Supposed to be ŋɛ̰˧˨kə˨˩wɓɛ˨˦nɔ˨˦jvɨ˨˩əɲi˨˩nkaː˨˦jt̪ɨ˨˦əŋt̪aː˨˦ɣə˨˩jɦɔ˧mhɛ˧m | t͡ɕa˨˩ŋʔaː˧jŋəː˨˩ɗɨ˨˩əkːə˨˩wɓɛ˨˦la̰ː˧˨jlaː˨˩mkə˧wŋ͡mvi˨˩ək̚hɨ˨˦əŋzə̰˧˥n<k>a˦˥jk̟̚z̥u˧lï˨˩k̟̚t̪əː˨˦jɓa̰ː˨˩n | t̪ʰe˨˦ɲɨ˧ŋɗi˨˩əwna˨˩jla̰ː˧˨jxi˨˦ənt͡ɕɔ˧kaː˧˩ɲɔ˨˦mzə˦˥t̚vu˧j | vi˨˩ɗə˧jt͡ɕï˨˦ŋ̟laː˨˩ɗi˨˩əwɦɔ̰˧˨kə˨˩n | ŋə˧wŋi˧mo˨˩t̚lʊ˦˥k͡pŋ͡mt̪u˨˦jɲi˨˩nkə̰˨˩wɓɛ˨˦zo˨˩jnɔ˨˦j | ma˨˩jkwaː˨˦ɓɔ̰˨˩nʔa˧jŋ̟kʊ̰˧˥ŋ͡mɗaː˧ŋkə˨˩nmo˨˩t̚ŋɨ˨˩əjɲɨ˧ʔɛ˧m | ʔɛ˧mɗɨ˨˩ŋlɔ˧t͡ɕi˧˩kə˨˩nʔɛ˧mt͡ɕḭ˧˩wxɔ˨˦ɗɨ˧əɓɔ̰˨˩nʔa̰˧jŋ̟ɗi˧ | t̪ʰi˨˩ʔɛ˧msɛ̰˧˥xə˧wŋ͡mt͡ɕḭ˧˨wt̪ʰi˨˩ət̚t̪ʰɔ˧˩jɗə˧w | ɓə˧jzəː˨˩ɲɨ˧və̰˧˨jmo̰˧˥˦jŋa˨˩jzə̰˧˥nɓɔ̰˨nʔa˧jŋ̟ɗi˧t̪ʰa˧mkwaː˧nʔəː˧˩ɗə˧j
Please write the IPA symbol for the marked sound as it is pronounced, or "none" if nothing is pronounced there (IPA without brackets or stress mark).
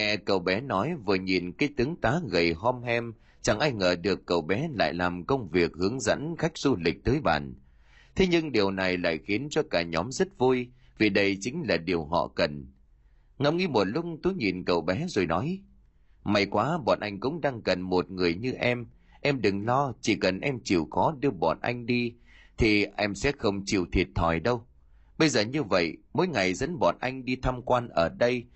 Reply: x